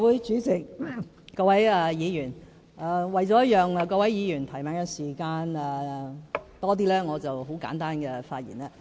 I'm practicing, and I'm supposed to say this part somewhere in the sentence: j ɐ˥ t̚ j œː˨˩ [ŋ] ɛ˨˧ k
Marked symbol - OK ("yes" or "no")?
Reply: yes